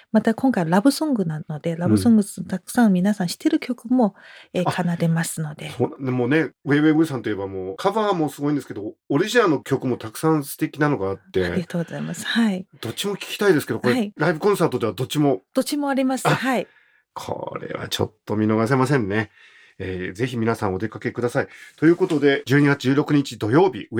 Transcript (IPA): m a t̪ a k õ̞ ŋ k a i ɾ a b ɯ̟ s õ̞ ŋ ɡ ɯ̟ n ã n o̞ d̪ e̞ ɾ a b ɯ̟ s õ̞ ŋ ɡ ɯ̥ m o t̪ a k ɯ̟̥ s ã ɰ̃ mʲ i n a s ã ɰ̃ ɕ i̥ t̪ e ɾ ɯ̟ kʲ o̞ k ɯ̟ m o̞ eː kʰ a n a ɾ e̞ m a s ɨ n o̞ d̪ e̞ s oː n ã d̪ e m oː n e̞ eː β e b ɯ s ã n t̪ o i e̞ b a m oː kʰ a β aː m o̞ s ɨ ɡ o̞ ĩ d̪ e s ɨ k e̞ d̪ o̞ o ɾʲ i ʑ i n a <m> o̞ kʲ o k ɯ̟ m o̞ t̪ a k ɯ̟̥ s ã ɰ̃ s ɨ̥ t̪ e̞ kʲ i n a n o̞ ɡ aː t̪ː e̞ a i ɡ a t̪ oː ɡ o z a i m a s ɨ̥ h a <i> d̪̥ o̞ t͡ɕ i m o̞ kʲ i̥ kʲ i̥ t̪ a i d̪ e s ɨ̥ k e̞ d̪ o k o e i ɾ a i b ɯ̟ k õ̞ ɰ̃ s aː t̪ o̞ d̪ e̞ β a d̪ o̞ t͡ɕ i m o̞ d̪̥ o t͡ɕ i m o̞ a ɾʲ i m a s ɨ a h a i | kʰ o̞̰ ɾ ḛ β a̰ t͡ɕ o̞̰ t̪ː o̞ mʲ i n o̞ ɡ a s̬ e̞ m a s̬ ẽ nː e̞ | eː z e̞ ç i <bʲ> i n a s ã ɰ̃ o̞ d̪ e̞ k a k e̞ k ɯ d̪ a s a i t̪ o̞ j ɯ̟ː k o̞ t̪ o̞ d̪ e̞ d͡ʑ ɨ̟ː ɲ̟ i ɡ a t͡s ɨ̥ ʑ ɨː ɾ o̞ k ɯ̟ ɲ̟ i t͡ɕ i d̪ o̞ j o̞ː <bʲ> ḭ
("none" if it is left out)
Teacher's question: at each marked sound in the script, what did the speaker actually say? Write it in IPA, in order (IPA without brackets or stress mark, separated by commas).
n, i, mʲ, bʲ